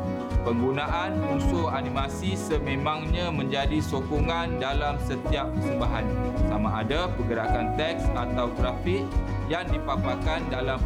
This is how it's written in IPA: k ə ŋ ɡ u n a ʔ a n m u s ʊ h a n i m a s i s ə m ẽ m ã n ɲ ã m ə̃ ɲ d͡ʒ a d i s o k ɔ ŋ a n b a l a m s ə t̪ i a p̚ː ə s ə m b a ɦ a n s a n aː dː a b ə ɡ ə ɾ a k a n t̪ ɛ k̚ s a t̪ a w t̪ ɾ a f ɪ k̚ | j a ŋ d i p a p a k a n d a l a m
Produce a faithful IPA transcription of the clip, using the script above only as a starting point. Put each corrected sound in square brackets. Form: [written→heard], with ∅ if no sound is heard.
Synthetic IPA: [k→p] ə ŋ ɡ u n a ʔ a n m u s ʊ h a n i m a s i s ə m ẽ m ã [n→ŋ] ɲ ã m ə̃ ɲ d͡ʒ a d i s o k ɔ ŋ a n [b→d] a l a m s ə t̪ i a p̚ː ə s ə m b a ɦ a n s a [n→m] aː [dː→d] a [b→p] ə ɡ ə ɾ a k a n t̪ ɛ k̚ s a t̪ a w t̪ ɾ a f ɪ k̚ | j a ŋ d i p a p a k a n d a l a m